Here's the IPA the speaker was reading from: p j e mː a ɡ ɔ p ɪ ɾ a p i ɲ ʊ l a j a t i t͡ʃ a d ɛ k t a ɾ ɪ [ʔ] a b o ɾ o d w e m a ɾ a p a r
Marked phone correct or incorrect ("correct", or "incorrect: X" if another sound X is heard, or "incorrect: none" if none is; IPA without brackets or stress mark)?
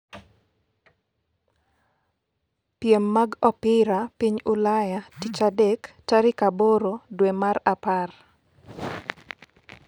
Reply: incorrect: k